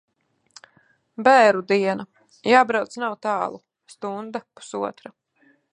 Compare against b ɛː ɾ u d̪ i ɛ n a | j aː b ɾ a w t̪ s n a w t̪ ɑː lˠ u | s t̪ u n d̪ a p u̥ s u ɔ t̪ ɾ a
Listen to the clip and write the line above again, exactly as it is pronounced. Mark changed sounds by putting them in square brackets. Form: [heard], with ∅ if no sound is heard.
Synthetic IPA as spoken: b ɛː ɾ u d̪ i ɛ n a | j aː b ɾ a w t̪ s n a w t̪ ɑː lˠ u | s t̪ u n d̪ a p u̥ s u ɔ t̪ ɾ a